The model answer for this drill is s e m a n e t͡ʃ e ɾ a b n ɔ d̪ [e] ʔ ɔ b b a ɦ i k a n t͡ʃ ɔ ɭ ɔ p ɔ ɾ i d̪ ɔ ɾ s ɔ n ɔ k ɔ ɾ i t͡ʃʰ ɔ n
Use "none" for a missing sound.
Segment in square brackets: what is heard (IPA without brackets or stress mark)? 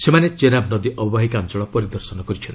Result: i